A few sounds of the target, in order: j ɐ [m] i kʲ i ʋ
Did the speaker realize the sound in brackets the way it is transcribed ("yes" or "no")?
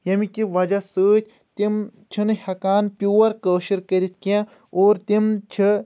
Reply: yes